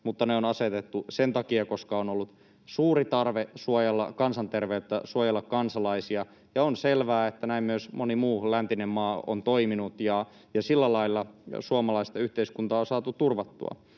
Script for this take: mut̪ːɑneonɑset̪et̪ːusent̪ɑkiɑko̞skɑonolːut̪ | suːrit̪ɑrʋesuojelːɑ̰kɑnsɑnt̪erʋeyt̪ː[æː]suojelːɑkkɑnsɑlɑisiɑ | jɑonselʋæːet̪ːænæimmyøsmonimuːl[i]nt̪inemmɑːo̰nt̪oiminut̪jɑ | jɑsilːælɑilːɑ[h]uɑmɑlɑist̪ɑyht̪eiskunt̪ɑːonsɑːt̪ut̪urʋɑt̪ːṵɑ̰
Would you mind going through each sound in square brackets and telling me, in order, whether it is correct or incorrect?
incorrect, incorrect, incorrect

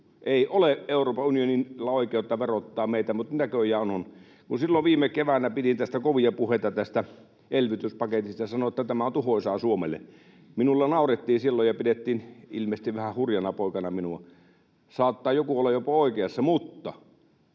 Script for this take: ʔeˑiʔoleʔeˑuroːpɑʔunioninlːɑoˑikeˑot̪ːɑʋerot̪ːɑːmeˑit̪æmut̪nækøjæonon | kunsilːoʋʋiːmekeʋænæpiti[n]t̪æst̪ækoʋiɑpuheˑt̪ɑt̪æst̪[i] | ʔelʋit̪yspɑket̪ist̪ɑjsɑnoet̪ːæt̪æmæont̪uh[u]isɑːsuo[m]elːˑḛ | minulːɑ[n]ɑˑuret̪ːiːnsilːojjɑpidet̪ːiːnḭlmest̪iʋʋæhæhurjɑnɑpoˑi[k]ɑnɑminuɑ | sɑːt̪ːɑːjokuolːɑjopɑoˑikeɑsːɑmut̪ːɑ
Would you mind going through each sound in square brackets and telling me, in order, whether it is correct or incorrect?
correct, incorrect, incorrect, correct, correct, correct

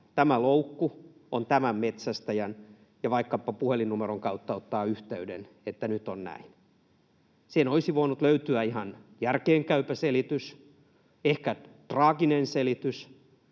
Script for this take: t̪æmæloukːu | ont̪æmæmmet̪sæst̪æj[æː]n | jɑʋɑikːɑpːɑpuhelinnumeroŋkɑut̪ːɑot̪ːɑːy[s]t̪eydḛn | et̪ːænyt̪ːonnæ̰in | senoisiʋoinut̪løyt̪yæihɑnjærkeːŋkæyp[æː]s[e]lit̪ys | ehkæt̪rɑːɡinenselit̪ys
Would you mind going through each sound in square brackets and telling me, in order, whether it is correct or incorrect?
incorrect, incorrect, incorrect, correct

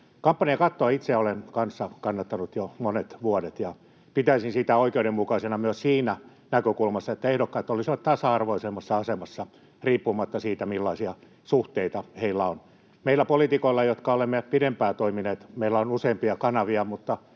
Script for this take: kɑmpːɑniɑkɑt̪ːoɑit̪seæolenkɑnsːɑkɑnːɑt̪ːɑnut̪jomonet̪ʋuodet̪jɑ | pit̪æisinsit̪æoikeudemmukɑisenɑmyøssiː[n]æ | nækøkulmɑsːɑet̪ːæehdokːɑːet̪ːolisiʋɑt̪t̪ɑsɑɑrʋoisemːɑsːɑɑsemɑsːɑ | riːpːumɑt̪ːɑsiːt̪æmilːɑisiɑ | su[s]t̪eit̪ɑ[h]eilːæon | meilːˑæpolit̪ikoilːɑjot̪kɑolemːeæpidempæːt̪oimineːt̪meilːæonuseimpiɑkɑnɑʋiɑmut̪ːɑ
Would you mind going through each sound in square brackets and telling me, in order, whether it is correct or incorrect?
correct, incorrect, correct

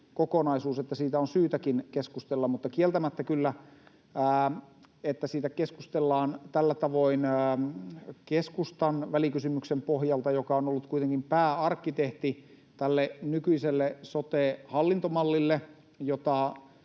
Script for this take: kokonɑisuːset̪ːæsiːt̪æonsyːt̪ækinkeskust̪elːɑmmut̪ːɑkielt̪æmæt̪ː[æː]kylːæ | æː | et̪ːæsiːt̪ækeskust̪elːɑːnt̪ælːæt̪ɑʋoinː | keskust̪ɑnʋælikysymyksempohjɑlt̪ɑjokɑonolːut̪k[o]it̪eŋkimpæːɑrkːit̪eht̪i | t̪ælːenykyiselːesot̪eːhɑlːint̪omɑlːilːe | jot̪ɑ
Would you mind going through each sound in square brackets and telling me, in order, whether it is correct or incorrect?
incorrect, incorrect

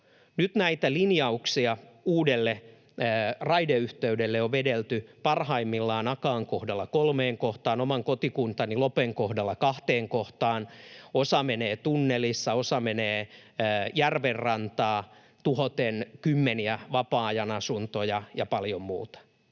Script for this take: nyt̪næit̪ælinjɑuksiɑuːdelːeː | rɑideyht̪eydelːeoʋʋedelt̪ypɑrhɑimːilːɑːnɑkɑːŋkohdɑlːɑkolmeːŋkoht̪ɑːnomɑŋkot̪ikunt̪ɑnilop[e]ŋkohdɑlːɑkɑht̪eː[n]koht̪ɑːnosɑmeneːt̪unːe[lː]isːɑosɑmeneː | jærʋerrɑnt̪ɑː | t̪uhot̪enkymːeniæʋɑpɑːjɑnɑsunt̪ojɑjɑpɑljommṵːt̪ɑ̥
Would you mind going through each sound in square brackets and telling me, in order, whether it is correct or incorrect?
correct, incorrect, incorrect

